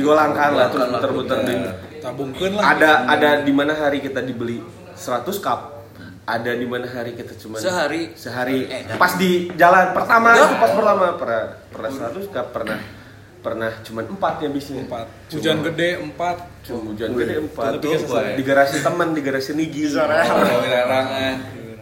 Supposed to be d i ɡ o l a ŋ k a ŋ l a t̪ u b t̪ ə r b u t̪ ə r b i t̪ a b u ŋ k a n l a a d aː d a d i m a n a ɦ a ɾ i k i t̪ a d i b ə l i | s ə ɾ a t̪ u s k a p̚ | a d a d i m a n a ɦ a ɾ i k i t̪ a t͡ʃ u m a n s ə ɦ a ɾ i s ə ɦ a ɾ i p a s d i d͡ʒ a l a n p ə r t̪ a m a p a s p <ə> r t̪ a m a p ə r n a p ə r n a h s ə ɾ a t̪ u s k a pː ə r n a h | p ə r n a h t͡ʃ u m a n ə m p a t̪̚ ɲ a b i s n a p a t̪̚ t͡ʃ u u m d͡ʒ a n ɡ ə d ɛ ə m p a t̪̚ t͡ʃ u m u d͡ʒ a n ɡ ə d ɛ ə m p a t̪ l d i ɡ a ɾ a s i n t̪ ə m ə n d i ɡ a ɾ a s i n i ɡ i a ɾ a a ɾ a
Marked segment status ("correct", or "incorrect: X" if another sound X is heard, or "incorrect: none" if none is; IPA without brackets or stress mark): correct